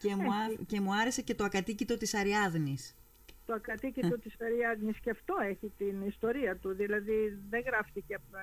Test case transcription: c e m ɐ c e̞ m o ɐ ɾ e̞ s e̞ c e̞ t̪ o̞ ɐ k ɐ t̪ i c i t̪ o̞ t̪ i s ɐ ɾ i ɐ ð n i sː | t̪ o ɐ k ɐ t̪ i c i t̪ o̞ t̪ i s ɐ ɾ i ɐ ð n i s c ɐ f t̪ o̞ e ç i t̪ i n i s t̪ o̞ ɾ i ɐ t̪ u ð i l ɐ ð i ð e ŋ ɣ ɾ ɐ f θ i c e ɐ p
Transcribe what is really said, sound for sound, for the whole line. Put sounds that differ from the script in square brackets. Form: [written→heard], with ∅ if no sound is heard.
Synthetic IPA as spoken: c e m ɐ c e̞ m [o→u] ɐ ɾ e̞ s e̞ c e̞ t̪ o̞ ɐ k ɐ t̪ i c i t̪ o̞ t̪ i s ɐ ɾ i ɐ ð n i [sː→s] | t̪ o ɐ k ɐ t̪ i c i t̪ o̞ t̪ i s ɐ ɾ i ɐ ð n i s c ɐ f t̪ o̞ e ç i t̪ i n i s t̪ o̞ ɾ i ɐ t̪ u ð i l ɐ ð i ð e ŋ ɣ ɾ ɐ f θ i c e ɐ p